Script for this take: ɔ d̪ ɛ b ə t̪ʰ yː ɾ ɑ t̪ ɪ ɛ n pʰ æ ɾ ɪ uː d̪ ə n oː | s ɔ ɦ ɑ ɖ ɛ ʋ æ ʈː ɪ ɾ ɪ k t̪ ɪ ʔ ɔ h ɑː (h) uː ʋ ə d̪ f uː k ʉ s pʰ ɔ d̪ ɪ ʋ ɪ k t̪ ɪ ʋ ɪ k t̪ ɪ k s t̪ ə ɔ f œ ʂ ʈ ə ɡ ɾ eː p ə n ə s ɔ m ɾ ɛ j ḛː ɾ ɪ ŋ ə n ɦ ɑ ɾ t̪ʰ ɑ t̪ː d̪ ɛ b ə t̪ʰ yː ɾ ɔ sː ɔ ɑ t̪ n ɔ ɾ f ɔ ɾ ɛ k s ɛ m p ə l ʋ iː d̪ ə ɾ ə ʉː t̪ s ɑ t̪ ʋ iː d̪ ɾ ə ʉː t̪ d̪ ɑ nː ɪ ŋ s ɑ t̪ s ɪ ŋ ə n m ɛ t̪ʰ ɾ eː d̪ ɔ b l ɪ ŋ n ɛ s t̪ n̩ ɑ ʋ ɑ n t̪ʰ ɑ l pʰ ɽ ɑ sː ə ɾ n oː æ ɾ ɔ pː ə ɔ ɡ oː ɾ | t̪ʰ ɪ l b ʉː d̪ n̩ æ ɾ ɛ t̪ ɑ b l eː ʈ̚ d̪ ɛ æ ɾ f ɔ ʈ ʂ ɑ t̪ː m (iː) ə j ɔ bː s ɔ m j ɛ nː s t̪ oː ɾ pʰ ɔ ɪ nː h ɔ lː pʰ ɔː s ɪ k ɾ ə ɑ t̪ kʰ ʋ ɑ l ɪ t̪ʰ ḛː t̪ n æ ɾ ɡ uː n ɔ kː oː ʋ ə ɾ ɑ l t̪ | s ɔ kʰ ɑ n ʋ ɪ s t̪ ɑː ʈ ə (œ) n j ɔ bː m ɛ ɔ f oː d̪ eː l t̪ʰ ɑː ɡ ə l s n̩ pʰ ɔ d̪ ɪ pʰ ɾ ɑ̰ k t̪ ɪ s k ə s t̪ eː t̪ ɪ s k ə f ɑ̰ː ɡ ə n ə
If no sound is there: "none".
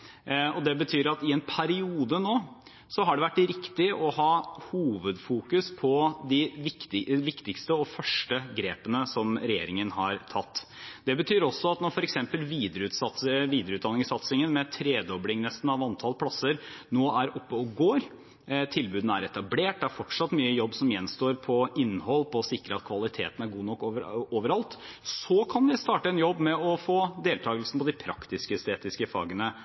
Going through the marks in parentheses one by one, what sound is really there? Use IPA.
h, yː, ɛ

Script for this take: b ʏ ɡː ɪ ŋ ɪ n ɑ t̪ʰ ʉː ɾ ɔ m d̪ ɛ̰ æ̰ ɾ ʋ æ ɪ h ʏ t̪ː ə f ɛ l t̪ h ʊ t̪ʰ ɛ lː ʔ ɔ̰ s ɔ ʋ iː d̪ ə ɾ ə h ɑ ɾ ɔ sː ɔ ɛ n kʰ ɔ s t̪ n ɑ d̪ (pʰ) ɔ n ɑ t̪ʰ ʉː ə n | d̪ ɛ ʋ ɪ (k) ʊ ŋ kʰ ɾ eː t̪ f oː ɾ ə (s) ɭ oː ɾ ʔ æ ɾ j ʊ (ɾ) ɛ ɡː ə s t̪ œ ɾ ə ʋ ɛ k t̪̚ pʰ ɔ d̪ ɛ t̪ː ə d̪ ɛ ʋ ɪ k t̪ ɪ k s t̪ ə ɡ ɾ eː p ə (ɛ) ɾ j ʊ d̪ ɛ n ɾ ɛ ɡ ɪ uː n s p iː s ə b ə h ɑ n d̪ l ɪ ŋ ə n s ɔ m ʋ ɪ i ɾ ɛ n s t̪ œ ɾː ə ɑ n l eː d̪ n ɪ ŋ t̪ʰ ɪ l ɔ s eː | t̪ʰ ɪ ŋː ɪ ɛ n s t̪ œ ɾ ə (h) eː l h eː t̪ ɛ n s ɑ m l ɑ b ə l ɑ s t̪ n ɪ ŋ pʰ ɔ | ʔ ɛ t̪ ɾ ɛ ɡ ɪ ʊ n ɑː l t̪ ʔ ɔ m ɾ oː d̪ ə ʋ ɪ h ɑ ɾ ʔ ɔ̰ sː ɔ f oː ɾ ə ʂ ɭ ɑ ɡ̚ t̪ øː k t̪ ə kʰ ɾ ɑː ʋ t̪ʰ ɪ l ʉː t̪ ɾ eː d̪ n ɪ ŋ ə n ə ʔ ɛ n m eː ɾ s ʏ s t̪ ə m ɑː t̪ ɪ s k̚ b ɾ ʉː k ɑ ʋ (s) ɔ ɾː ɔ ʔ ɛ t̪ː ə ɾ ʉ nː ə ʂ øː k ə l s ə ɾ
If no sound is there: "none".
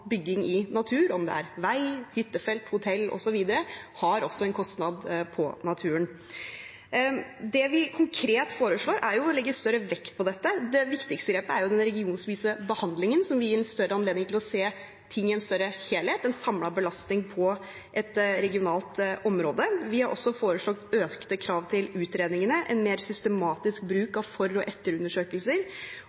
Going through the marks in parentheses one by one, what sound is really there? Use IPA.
pʰ, kʰ, ʂ, l, æ, h, f

